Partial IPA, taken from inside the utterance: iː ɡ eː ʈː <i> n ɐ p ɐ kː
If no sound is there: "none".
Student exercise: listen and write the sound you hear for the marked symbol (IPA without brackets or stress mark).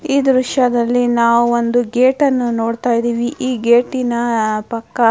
i